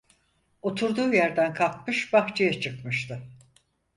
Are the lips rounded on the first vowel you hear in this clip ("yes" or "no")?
yes